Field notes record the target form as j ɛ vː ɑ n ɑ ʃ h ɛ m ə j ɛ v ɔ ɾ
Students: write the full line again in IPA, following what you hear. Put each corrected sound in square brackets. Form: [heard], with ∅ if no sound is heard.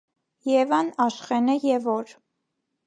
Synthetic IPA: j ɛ [v] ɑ n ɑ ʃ [χ] ɛ [n] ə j ɛ v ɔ ɾ